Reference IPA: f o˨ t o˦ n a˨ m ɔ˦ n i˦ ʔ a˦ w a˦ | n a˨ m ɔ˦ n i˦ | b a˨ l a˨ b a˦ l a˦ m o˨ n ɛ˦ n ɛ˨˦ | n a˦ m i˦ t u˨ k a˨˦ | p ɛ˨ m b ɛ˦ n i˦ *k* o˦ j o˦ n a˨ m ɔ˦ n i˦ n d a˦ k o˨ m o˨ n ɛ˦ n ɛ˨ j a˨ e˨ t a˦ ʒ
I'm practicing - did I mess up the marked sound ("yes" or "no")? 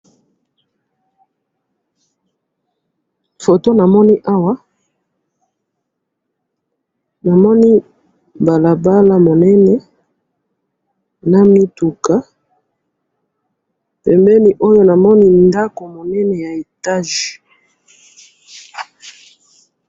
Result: yes